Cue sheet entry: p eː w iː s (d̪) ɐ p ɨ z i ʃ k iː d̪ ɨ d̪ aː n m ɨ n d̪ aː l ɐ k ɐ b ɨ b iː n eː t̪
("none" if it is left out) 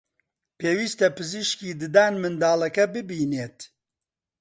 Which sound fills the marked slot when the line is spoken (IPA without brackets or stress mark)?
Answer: t̪